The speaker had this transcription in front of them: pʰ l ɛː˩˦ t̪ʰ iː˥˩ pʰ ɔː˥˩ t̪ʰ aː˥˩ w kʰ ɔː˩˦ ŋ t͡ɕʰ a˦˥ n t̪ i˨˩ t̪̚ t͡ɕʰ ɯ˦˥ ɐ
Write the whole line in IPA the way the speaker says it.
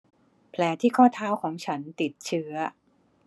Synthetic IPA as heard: pʰ l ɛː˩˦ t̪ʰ iː˥˩ kʰ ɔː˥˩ t̪ʰ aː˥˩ w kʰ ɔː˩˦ ŋ t͡ɕʰ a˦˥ n t̪ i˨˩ t̪̚ t͡ɕʰ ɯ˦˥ ɐ